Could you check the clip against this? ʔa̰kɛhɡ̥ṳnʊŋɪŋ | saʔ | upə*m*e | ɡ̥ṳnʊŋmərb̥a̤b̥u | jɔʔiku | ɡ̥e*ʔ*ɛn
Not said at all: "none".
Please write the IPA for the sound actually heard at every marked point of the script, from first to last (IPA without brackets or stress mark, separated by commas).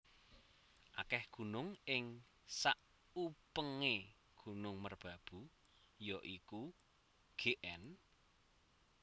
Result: ŋ, ʔ